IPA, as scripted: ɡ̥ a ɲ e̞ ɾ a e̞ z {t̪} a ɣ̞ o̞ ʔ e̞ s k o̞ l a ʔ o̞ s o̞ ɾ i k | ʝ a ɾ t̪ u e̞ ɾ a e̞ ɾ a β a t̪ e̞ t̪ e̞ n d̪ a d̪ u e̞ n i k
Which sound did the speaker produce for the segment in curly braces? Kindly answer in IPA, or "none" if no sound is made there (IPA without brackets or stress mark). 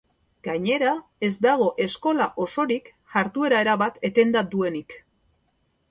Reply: d̪